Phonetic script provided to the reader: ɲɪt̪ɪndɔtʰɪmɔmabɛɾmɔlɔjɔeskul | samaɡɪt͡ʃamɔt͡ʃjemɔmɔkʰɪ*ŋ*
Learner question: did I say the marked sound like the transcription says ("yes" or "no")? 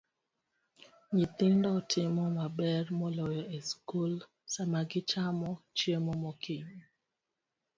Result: no